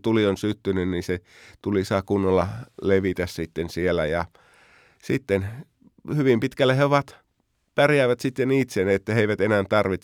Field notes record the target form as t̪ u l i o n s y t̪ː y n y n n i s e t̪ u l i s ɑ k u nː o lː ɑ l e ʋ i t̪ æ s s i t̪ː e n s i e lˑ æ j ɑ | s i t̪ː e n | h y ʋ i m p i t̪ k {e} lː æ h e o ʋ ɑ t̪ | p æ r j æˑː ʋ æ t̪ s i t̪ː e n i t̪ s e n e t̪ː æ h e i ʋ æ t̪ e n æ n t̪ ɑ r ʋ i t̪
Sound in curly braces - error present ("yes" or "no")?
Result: yes